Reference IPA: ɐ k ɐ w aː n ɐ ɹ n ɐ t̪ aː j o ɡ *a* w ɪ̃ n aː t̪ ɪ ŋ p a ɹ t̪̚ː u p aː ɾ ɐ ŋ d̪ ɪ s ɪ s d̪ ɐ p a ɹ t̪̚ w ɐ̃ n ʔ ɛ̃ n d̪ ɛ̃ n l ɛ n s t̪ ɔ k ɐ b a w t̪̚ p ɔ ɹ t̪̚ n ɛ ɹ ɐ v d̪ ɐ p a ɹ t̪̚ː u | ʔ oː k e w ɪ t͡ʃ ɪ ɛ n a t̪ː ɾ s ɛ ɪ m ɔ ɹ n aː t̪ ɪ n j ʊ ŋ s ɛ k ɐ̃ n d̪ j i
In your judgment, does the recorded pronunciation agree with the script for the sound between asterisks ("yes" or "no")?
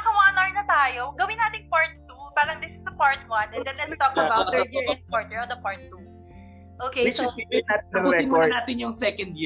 no